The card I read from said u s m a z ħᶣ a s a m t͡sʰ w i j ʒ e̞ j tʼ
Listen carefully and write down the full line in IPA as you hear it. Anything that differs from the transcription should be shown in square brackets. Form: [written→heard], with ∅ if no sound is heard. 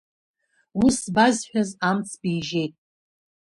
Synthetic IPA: u s [m→b] a z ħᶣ a [s→z] a m t͡sʰ [w→b] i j ʒ e̞ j tʼ